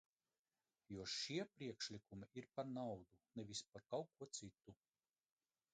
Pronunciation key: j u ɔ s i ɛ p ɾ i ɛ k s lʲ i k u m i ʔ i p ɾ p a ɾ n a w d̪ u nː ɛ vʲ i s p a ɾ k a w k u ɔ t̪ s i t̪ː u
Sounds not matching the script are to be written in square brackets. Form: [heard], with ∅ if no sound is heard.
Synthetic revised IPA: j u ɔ [ʃ] i ɛ p ɾ i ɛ k [ʃ] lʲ i k u m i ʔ i [∅] ɾ p a ɾ n a w d̪ u [n] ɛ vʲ i s p a ɾ k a w k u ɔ t̪ s i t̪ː u